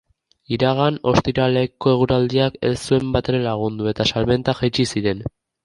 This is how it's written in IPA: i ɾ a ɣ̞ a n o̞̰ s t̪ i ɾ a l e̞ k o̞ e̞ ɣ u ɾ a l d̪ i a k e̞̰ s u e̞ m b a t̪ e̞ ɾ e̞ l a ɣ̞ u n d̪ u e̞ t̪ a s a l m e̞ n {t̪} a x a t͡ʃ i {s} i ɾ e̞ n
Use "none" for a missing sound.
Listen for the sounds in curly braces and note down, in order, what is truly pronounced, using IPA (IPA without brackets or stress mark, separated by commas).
t̪, s